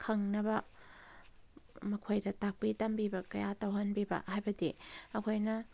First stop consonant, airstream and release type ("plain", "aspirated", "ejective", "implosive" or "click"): aspirated